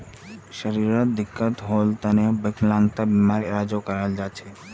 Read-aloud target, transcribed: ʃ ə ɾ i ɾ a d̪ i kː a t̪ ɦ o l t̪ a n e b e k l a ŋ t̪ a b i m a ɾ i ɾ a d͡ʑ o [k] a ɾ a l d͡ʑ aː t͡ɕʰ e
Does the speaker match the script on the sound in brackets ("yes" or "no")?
yes